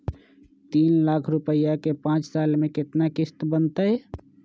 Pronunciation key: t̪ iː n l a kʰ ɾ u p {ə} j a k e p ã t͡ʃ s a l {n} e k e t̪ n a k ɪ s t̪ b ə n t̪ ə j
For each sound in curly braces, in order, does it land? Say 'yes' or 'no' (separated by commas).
yes, no